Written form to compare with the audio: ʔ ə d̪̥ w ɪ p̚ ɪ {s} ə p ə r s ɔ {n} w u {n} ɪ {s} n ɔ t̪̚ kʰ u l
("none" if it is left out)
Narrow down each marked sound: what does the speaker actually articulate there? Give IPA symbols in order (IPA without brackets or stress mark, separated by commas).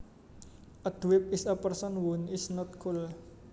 s, n, n, s